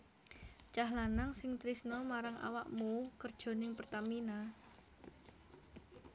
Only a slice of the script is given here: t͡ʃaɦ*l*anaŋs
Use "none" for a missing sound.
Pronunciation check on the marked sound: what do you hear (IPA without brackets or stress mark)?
l